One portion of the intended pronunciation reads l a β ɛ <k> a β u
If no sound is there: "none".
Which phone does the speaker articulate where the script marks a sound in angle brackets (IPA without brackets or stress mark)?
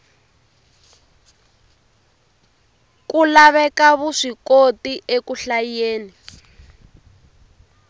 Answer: k